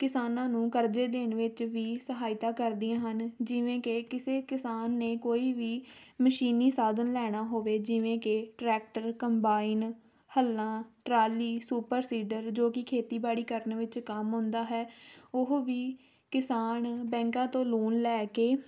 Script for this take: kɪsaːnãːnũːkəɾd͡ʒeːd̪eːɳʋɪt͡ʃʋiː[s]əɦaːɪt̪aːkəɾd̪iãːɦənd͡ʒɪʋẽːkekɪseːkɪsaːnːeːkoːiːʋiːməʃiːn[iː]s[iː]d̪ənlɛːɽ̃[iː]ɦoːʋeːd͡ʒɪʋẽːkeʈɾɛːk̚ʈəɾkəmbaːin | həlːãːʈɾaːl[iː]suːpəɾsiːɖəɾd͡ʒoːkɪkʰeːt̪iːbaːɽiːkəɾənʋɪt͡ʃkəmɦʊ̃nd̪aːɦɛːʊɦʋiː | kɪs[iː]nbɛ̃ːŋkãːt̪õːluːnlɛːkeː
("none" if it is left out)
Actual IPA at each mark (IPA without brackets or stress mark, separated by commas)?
s, iː, aː, aː, iː, aː